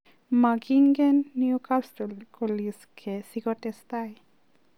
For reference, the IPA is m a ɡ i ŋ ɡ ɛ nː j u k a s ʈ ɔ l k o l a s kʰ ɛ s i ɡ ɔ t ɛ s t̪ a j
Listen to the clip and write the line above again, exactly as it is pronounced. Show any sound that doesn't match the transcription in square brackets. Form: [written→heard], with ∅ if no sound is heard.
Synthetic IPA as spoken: m a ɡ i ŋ ɡ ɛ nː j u k a s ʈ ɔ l k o l [a→i] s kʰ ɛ s i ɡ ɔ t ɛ s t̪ a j